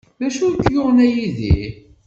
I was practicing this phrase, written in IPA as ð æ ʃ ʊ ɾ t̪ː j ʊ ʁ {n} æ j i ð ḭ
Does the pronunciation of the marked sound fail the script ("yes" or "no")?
no